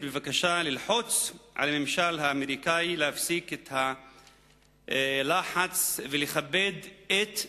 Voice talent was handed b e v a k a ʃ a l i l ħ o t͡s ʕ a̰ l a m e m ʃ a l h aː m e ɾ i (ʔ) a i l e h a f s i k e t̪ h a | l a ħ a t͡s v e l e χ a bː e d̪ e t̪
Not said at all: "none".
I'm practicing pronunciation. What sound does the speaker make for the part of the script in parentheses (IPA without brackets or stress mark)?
k